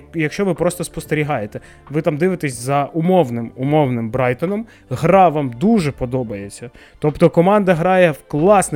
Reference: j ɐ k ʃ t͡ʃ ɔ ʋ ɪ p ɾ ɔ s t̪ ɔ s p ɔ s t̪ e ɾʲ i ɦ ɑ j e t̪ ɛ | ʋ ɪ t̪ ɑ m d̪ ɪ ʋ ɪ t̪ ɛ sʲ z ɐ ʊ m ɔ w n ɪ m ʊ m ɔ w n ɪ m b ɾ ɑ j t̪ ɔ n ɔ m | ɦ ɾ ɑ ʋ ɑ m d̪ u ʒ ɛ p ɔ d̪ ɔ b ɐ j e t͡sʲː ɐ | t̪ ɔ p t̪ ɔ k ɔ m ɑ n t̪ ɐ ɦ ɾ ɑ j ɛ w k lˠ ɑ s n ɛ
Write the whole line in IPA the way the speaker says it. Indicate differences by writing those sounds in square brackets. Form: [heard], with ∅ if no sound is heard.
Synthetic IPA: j ɐ k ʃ t͡ʃ ɔ ʋ ɪ p ɾ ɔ s t̪ ɔ s p ɔ s t̪ e ɾʲ i ɦ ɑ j e t̪ ɛ | ʋ ɪ t̪ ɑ m d̪ ɪ ʋ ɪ t̪ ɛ sʲ z ɐ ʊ m ɔ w n ɪ m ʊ m ɔ w n ɪ m b ɾ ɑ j t̪ ɔ n ɔ m | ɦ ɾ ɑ ʋ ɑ m d̪ u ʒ ɛ p ɔ d̪ ɔ b ɐ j e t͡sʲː ɐ | t̪ ɔ p t̪ ɔ k ɔ m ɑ n [d̪] ɐ ɦ ɾ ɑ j ɛ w k lˠ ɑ s n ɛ